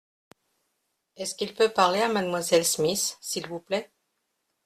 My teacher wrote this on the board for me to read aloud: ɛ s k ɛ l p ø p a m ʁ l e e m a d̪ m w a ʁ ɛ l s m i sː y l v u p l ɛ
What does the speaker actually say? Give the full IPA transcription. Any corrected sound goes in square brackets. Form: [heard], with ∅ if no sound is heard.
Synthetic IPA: ɛ s k [i] l p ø p a [∅] ʁ l e [a] m a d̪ m w a [z] ɛ l s m i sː [i] l v u p l ɛ